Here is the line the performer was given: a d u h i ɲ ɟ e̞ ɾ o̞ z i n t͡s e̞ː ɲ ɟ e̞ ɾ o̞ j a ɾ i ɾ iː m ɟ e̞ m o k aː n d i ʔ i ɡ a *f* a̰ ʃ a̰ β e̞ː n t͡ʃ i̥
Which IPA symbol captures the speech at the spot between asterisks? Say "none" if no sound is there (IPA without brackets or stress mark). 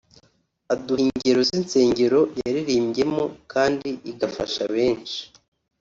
f